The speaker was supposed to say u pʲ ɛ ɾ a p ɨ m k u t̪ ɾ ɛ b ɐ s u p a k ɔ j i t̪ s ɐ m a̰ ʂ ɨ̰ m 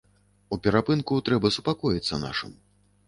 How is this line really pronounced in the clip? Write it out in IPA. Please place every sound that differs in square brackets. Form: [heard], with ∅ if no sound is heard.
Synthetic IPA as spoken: u pʲ ɛ ɾ a p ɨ [n] k u t̪ ɾ ɛ b ɐ s u p a k ɔ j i t̪ [sː] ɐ [n] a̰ ʂ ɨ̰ m